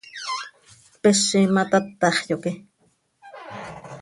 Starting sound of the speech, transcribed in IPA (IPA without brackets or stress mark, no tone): p